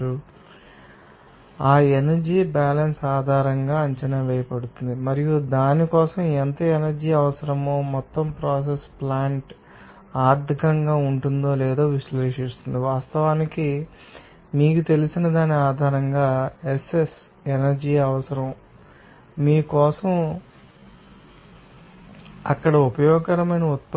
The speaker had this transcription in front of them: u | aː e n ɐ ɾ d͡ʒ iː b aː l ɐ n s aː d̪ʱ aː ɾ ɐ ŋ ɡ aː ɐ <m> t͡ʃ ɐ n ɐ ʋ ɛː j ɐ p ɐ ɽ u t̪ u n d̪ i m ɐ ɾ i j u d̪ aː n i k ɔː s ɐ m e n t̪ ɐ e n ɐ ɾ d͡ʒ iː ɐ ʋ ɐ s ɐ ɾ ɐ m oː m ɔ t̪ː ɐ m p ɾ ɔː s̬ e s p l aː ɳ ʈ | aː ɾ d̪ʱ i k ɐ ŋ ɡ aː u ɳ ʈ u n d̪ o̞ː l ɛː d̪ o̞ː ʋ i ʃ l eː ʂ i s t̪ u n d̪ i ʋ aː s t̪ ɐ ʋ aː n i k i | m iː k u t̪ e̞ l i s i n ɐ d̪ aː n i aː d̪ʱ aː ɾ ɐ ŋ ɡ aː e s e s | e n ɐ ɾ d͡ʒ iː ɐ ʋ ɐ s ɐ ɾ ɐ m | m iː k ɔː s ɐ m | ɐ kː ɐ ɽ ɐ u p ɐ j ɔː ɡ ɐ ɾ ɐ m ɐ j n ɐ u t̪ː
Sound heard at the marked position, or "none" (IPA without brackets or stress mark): ɲ